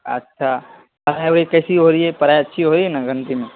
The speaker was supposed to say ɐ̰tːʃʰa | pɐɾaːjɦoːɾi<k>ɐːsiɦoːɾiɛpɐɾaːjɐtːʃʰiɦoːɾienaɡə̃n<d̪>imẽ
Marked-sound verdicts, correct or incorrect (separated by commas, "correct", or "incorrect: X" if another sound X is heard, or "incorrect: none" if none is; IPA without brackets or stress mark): correct, incorrect: t̪